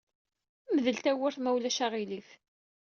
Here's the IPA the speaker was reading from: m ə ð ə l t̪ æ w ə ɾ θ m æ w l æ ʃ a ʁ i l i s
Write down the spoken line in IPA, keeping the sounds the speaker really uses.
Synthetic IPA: m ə ð ə l t̪ æ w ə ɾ θ m æ w l æ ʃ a ʁ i l i θ